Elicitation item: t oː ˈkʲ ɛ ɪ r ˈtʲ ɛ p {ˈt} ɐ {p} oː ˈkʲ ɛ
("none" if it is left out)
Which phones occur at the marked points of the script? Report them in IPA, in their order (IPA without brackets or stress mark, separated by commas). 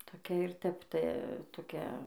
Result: t, t